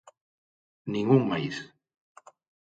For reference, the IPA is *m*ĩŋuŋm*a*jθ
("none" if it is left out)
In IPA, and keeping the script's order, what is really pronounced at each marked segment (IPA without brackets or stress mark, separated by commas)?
n, a